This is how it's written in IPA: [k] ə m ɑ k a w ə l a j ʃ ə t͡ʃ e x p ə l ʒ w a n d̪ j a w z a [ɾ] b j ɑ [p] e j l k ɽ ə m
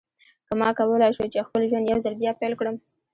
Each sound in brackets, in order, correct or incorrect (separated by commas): correct, incorrect, correct